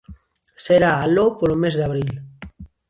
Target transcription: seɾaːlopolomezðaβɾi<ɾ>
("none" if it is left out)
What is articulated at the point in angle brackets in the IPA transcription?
l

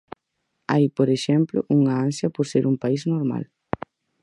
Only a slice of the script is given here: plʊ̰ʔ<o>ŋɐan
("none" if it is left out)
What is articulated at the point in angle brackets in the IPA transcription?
u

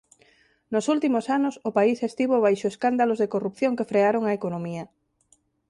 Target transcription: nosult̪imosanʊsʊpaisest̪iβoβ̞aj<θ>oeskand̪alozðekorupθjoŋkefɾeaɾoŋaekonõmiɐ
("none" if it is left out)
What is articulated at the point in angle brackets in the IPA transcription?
ʃ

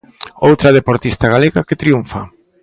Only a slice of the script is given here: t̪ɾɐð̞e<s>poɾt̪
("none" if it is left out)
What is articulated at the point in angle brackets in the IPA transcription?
none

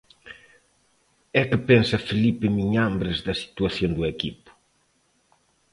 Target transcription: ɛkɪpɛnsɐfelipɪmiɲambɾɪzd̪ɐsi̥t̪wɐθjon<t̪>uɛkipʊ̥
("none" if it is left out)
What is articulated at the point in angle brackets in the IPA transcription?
d̪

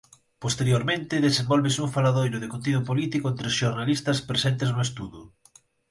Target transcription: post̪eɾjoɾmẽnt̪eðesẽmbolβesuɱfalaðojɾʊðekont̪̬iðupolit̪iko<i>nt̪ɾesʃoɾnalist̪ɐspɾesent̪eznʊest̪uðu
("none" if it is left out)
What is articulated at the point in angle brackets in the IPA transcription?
e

